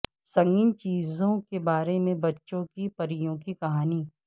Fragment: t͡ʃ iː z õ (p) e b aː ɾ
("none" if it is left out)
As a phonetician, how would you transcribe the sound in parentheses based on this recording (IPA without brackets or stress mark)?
k